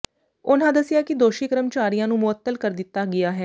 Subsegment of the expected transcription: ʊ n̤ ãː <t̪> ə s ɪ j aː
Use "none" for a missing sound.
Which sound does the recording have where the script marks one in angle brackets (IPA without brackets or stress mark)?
d̪